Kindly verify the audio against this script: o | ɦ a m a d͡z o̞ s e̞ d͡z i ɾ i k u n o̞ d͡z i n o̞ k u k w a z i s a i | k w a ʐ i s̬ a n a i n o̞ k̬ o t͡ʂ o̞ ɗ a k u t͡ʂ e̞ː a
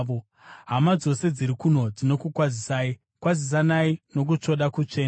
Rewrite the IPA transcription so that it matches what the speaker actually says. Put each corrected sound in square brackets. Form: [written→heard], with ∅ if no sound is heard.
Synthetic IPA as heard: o | ɦ a m a d͡z o̞ s e̞ d͡z i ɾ i k u n o̞ d͡z i n o̞ k u k w a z i s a i | k w a [ʐ→z] i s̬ a n a i n o̞ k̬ [o→u] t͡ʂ o̞ ɗ a k u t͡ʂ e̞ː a